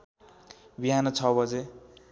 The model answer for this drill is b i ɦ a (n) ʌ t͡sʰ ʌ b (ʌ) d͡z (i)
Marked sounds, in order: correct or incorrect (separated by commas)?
correct, correct, incorrect